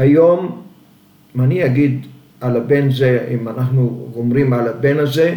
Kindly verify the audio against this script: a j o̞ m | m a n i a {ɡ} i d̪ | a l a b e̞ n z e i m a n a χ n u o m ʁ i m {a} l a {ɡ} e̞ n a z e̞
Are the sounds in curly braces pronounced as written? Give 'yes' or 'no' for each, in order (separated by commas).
yes, yes, no